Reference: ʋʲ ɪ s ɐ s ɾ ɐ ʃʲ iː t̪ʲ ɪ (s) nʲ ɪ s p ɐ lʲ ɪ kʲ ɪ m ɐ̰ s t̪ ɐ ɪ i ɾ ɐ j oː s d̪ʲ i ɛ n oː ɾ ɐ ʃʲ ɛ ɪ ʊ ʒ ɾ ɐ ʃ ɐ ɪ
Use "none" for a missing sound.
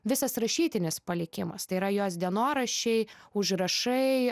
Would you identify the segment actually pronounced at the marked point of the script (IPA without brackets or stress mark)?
none